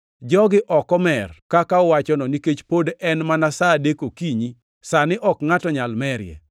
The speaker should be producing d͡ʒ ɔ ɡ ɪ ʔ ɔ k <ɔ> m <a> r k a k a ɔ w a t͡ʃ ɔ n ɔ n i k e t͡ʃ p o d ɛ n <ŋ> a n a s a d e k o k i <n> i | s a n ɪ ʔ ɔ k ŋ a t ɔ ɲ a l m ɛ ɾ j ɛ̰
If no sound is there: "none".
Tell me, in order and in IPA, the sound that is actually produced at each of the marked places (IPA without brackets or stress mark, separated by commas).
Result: ɔ, ɛ, m, ɲ